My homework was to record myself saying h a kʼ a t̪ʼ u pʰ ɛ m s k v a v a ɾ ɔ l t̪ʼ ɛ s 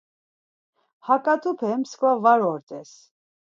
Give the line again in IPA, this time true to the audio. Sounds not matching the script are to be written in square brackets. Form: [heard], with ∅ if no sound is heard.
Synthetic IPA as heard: h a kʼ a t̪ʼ u pʰ ɛ m s k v a v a ɾ ɔ [ɾ] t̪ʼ ɛ s